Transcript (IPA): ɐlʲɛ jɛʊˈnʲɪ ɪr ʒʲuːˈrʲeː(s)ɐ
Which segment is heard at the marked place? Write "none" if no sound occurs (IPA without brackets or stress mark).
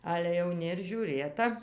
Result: t